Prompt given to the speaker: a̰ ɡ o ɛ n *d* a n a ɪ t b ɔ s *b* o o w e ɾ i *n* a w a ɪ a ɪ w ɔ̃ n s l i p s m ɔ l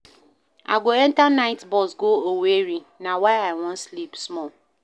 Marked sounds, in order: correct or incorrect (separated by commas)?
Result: incorrect, incorrect, correct